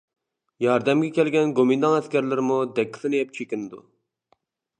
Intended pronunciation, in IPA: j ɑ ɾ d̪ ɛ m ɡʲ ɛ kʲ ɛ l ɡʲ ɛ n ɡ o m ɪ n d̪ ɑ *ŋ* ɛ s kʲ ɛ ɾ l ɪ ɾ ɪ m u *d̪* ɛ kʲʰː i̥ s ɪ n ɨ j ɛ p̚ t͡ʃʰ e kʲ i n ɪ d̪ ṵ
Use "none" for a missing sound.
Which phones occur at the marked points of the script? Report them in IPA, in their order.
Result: ŋ, d̪

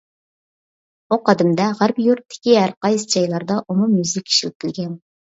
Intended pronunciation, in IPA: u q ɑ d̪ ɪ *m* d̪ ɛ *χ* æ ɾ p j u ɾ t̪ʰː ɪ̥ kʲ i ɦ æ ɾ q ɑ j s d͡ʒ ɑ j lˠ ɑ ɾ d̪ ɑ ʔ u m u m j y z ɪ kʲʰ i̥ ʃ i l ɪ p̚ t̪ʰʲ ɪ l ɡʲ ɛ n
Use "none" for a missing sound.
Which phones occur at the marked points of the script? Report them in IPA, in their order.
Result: m, ʁ

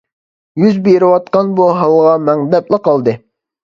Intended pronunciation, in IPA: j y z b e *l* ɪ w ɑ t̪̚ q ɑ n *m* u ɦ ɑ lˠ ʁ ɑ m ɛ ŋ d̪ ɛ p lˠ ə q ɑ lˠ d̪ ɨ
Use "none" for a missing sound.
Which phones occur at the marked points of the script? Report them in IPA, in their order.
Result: ɾ, b

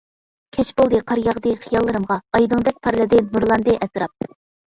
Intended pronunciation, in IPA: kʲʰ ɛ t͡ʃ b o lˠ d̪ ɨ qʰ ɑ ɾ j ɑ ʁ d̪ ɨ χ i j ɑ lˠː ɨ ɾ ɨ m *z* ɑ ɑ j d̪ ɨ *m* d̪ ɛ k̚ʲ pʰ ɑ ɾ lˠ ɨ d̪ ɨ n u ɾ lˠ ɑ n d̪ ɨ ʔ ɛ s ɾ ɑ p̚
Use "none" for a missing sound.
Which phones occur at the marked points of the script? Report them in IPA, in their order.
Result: ʁ, ŋ

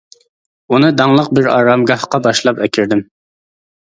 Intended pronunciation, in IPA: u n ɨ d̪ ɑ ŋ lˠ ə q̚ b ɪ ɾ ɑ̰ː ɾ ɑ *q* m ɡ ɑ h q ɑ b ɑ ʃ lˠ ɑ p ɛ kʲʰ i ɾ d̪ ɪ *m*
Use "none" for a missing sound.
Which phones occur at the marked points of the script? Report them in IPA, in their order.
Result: none, m

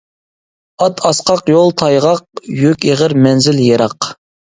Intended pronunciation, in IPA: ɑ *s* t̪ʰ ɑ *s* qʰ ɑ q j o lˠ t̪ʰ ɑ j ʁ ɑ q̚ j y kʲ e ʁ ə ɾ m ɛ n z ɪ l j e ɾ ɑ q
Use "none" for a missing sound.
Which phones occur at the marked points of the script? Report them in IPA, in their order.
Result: none, s

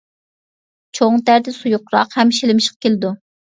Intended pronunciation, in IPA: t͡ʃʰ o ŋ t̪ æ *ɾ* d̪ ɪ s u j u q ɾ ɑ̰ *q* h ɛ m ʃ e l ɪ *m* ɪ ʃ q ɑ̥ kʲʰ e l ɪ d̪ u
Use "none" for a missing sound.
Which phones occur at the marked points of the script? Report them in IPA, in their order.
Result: ɾ, q, m

